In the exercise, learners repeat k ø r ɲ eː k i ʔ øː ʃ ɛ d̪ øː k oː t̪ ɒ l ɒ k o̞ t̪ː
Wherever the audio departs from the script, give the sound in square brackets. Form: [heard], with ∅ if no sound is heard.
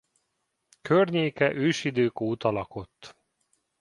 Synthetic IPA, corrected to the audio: k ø r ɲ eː k [ɛ] ʔ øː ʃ [i] d̪ øː k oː t̪ ɒ l ɒ k o̞ t̪ː

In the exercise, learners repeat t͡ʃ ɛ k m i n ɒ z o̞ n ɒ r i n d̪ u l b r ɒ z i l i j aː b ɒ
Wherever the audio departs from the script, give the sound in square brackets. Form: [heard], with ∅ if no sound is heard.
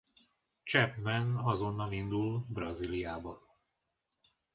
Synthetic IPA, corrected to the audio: t͡ʃ ɛ [p] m [ɛ] n ɒ z o̞ [nː] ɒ [l] i n d̪ u l b r ɒ z i l i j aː b ɒ

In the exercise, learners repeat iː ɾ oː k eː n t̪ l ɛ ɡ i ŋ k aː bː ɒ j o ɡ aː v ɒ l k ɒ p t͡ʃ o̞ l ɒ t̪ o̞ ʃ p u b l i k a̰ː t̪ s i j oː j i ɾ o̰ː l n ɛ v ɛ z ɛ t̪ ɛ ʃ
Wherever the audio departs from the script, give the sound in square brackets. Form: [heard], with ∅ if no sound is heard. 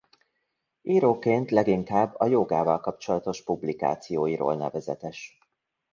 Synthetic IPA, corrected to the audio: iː ɾ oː k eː n t̪ l ɛ ɡ i ŋ k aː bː ɒ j o ɡ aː v ɒ l k ɒ p t͡ʃ o̞ l ɒ t̪ o̞ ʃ p u b l i k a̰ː t̪ s i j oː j i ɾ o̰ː l n ɛ v ɛ z ɛ t̪ ɛ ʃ

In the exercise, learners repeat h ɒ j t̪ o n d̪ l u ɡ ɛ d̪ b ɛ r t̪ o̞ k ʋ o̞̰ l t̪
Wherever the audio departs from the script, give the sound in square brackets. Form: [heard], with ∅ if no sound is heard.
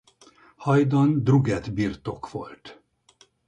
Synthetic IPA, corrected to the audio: h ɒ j [d̪] o n d̪ [r] u ɡ ɛ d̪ b [i] r t̪ o̞ k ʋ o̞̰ l t̪

